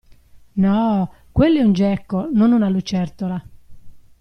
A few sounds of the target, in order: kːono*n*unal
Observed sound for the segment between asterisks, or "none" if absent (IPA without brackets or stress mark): n